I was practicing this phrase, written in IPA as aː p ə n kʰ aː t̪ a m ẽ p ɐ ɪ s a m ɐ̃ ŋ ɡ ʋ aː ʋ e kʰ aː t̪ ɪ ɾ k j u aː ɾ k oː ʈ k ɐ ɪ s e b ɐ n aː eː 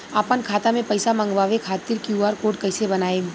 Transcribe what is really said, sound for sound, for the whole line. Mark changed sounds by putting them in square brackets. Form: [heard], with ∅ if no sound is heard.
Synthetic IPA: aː p ə n kʰ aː t̪ a m ẽ p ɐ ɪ s a m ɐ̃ ŋ ɡ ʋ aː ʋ e kʰ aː t̪ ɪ ɾ k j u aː ɾ k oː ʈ k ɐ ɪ s e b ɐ n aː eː